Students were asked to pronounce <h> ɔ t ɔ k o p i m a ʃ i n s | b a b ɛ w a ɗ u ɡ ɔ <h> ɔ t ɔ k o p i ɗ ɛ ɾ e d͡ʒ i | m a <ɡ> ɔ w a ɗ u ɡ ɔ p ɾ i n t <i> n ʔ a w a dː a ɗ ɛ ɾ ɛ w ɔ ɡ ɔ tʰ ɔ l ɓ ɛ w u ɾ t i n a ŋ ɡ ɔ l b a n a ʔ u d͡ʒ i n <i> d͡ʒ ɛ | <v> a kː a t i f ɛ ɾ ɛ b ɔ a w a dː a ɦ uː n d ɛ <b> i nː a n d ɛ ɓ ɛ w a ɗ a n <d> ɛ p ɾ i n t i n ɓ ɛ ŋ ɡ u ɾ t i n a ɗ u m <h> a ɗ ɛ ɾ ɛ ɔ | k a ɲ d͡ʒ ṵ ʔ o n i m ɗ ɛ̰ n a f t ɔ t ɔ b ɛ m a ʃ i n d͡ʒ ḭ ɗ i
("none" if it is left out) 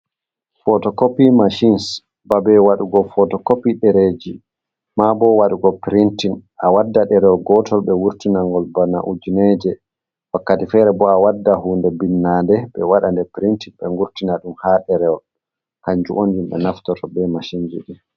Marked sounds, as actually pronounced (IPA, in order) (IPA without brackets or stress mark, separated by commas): f, f, b, i, ɛ, w, b, d, h